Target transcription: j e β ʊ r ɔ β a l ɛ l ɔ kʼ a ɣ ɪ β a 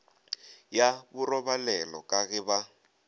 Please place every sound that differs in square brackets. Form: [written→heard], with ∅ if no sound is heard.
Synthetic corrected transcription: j [e→a] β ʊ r ɔ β a l ɛ l ɔ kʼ a ɣ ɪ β a

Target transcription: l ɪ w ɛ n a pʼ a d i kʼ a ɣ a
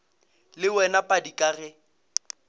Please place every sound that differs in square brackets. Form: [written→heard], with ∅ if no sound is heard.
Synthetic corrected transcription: l ɪ w ɛ n a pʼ a d i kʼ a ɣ [a→ɛ]

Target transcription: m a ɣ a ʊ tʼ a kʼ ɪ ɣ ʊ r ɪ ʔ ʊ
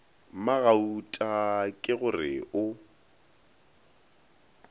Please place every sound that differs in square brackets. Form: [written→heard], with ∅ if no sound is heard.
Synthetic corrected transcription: m a ɣ a [ʊ→u] tʼ a kʼ ɪ ɣ ʊ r ɪ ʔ ʊ

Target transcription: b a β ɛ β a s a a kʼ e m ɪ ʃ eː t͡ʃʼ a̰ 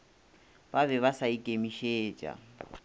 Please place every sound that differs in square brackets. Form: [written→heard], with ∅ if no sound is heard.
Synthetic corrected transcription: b a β ɛ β a s a [a→i] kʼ e m [ɪ→i] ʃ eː t͡ʃʼ a̰

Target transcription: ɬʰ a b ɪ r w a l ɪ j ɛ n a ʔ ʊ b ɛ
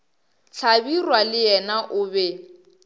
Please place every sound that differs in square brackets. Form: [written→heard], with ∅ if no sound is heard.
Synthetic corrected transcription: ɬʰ a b [ɪ→i] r w a l ɪ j ɛ n a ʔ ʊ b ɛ

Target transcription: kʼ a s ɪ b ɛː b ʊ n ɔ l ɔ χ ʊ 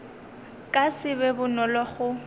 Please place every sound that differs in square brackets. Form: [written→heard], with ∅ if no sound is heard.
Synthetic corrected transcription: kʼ a s ɪ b [ɛː→ɛ] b ʊ n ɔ l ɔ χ ʊ

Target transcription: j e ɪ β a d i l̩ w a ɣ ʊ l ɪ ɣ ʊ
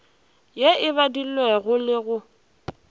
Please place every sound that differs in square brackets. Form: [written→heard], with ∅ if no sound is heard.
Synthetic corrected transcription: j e ɪ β a d i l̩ w [a→ɛ] ɣ ʊ l ɪ ɣ ʊ

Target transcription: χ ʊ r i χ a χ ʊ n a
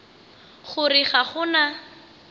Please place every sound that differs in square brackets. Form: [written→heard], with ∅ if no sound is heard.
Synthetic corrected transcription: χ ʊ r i χ a χ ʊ n a

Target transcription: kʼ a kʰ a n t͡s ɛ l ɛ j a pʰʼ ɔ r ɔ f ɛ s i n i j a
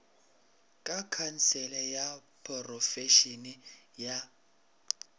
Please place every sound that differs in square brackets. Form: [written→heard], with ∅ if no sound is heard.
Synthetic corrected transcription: kʼ a kʰ a n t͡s ɛ l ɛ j a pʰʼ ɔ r ɔ f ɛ [s→ʃ] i n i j a

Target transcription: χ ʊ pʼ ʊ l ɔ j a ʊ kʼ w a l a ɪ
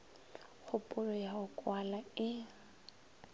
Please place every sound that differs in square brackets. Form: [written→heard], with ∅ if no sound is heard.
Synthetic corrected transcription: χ ʊ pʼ ʊ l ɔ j a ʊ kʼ w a l a ɪ

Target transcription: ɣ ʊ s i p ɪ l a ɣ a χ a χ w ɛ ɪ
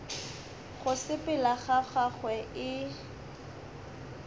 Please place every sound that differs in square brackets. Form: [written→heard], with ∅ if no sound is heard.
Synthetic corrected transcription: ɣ ʊ s [i→ɪ] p ɪ l a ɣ a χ a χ w ɛ ɪ

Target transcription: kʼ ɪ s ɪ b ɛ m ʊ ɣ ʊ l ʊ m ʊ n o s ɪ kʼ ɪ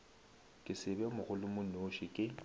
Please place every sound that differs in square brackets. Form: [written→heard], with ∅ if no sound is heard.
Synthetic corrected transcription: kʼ ɪ s ɪ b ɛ m ʊ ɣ ʊ l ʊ m ʊ n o [s→ʃ] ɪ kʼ ɪ

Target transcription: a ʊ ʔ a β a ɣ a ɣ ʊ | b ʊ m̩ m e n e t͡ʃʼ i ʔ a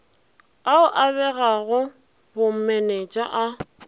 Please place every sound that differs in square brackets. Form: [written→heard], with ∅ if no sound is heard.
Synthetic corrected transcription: a ʊ ʔ a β [a→ɛ] ɣ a ɣ ʊ | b ʊ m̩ m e n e t͡ʃʼ [i→a] ʔ a

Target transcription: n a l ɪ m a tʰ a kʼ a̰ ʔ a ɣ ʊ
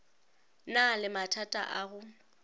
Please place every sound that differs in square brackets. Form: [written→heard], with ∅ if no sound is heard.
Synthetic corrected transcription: n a l ɪ m a tʰ a [kʼ→tʼ] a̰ ʔ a ɣ ʊ

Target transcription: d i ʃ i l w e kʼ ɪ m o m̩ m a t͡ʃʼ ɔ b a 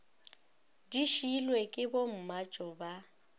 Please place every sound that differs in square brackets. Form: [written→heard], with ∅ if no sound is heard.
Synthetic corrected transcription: d i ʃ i l w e kʼ ɪ [m→b] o m̩ m a t͡ʃʼ ɔ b a

